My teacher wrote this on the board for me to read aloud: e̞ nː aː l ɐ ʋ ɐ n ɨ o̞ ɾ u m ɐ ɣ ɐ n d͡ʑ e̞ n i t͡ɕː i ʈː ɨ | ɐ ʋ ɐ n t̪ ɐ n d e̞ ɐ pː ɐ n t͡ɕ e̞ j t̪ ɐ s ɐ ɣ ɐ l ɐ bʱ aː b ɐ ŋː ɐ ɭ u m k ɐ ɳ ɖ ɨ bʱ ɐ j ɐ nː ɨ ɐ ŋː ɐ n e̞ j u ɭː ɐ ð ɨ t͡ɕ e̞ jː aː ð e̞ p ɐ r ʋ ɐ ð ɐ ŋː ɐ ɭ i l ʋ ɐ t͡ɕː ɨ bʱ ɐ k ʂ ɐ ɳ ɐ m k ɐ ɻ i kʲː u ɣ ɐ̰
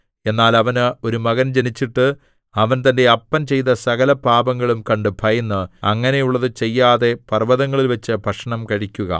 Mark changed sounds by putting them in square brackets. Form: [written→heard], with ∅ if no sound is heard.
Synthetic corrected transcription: e̞ nː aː l ɐ ʋ ɐ n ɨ o̞ ɾ u m ɐ ɣ ɐ n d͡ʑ e̞ n i t͡ɕː i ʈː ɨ | ɐ ʋ ɐ n t̪ ɐ n d e̞ ɐ pː ɐ n t͡ɕ e̞ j t̪ ɐ s ɐ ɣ ɐ l ɐ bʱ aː b ɐ ŋː ɐ ɭ u m k ɐ ɳ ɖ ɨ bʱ ɐ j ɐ nː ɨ ɐ ŋː ɐ n e̞ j u ɭː ɐ ð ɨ t͡ɕ e̞ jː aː ð e̞ p ɐ r ʋ ɐ ð ɐ ŋː ɐ ɭ i l ʋ ɐ t͡ɕː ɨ bʱ ɐ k ʂ ɐ ɳ ɐ m k ɐ ɻ i kʲː u ɣ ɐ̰